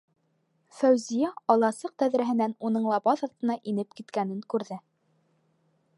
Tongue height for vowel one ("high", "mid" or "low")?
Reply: low